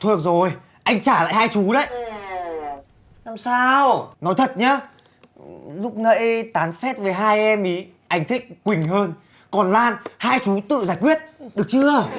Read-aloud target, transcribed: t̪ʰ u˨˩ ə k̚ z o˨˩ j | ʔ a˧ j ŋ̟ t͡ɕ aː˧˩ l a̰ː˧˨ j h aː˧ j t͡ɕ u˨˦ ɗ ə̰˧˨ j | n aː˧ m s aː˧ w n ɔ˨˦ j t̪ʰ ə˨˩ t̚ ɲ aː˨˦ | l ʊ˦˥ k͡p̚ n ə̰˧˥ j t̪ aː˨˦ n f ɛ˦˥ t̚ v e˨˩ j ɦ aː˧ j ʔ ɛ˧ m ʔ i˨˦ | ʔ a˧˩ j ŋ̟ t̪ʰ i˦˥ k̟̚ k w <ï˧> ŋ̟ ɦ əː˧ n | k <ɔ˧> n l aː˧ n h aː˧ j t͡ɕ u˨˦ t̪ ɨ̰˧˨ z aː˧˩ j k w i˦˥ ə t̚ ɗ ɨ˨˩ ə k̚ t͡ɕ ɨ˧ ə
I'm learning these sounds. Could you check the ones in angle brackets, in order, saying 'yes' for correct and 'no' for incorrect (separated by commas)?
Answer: no, no